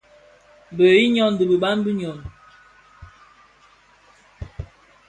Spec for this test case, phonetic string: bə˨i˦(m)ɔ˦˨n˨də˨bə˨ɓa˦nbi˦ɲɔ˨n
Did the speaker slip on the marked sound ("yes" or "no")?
yes